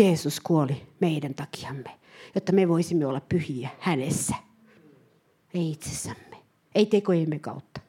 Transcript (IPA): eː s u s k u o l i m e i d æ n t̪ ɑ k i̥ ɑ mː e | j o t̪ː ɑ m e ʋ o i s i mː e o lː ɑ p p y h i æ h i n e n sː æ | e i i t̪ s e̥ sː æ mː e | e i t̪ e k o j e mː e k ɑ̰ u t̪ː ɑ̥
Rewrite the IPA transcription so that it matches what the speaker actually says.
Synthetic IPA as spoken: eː s u s k u o l i m e i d æ n t̪ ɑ k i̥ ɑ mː e | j o t̪ː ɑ m e ʋ o i s i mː e o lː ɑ p p y h i æ h æ n e sː æ | e i i t̪ s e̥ sː æ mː e | e i t̪ e k o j e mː e k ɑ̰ u t̪ː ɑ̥